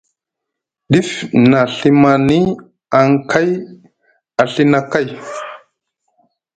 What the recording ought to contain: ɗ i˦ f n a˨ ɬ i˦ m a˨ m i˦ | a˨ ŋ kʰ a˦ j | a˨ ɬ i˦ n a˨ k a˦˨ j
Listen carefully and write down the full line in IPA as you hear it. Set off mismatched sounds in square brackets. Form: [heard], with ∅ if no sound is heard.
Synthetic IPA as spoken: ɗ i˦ f n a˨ ɬ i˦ m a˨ [n] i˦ | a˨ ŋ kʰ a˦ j | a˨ ɬ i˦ n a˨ k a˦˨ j